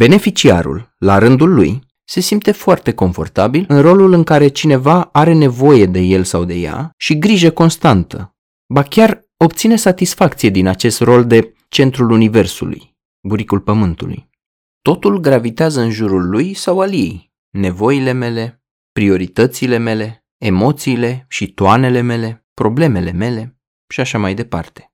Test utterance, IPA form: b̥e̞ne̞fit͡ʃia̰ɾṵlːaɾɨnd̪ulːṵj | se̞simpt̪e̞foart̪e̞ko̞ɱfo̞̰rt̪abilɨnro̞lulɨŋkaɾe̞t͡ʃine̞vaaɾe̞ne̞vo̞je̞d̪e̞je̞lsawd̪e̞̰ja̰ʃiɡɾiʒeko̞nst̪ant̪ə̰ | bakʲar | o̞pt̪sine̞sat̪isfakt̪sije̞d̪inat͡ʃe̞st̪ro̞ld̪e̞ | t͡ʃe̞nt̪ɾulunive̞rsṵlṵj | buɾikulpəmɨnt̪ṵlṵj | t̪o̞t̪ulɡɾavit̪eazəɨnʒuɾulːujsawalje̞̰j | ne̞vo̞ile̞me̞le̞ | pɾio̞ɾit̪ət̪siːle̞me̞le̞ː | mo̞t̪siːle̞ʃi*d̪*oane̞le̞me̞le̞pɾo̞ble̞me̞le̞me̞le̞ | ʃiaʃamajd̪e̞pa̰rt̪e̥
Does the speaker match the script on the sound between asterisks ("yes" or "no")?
no